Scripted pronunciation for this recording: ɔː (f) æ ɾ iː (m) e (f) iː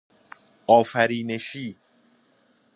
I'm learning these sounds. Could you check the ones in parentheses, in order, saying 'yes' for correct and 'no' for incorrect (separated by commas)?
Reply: yes, no, no